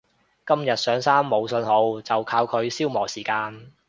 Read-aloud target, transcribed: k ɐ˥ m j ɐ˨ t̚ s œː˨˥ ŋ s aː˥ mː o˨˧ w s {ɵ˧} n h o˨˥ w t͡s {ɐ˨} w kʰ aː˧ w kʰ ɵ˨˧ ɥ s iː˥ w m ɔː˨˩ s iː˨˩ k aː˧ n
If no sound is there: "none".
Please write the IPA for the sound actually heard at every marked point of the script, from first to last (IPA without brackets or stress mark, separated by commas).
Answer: ɵ˧, ɐ˨